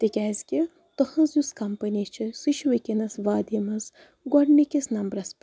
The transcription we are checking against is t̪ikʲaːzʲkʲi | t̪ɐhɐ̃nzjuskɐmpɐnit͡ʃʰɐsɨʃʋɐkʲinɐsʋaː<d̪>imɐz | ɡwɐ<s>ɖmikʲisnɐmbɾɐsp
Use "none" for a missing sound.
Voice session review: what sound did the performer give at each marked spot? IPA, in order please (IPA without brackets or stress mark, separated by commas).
d̪, none